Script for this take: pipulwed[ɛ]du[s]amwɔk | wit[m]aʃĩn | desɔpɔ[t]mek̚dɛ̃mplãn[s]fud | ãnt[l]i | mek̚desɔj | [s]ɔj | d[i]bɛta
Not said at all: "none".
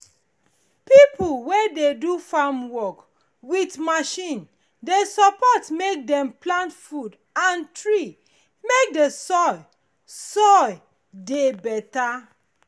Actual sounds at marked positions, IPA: e, f, m, t, t, ɹ, s, e

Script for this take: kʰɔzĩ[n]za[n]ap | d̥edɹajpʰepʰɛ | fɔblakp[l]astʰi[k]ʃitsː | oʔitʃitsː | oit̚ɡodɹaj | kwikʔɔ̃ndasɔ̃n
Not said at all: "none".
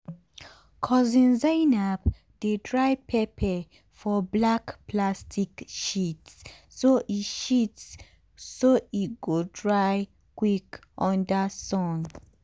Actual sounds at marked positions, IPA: n, n, l, k

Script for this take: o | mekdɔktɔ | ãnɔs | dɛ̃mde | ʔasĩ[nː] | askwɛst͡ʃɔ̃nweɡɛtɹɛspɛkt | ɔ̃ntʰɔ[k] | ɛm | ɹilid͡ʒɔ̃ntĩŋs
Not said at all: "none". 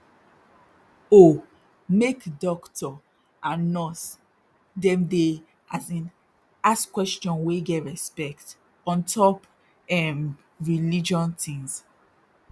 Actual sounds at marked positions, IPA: n, p

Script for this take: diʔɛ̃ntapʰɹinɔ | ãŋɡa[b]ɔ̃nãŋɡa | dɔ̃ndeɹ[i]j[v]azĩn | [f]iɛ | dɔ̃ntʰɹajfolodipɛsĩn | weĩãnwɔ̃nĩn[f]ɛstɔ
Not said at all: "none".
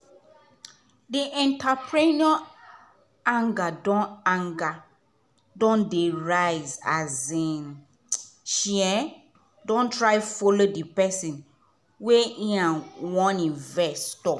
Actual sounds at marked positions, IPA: d, a, z, ʃ, v

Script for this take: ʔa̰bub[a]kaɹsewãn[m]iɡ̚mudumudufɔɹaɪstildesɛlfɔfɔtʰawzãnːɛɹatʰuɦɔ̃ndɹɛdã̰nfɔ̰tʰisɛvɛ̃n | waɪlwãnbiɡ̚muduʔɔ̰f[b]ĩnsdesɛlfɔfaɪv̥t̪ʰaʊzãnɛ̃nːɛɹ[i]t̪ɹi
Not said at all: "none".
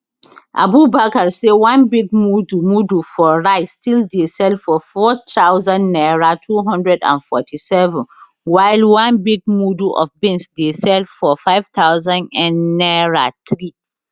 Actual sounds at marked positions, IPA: a, b, b, a

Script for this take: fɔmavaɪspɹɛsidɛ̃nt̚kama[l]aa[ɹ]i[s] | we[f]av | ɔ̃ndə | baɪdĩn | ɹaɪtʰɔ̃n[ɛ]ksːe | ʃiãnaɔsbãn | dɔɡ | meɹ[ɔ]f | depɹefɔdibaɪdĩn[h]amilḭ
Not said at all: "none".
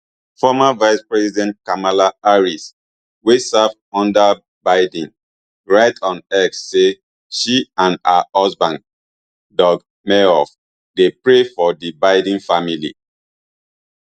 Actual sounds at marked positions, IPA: l, ɹ, s, s, ɛ, ɔ, f

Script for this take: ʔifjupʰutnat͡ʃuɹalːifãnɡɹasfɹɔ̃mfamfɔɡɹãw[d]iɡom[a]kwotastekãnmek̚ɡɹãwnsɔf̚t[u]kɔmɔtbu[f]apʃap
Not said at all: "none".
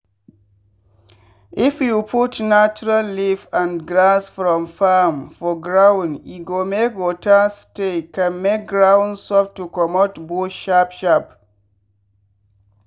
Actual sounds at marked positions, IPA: n, e, u, ʃ

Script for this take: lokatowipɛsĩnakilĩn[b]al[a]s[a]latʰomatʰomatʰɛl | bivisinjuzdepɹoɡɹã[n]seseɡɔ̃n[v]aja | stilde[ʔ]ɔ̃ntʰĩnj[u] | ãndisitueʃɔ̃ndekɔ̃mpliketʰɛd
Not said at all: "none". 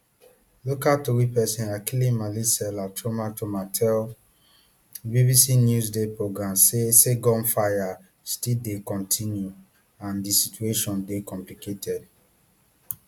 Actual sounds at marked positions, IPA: m, i, ɛ, m, f, k, u

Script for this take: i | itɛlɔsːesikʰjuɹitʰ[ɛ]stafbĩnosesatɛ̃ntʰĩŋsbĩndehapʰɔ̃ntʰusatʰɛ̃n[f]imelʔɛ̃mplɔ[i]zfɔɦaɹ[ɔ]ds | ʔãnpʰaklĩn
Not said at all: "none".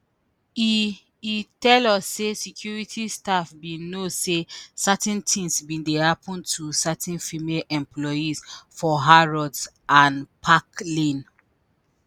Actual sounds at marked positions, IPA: i, f, i, ɔ

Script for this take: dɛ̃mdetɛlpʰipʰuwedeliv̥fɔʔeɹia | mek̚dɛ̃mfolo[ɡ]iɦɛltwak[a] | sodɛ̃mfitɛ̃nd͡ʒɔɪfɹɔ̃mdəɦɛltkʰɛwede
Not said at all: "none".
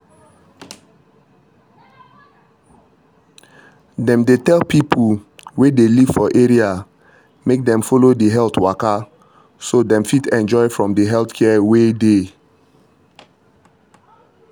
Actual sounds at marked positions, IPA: d, a

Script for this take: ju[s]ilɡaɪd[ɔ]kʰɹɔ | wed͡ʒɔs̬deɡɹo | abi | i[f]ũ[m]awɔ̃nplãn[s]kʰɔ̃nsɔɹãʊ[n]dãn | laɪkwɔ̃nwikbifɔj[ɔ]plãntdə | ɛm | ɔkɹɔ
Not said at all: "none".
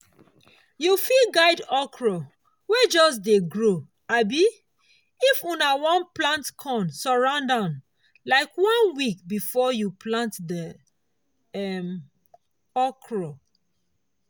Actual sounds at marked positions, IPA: f, ɔ, f, n, t, n, u

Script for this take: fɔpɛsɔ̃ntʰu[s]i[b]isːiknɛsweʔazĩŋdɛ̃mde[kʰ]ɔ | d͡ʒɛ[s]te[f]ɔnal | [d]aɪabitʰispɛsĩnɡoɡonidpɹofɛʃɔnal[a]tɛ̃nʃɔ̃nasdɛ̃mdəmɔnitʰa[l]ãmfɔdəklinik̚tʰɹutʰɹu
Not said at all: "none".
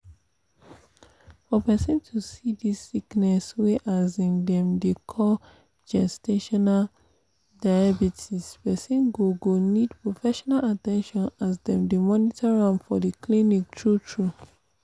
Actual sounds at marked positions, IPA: s, d, kʰ, s, ʃ, d, a, ɹ

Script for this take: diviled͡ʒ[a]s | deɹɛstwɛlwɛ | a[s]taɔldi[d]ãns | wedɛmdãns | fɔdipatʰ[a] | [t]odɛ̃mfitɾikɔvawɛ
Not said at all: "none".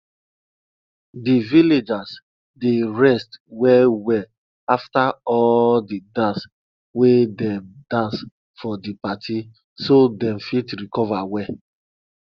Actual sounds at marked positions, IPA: a, f, d, i, s

